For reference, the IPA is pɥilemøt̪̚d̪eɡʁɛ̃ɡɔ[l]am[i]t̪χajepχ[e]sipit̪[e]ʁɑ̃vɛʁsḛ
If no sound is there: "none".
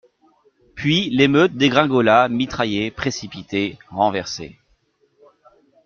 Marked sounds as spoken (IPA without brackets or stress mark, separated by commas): l, i, e, e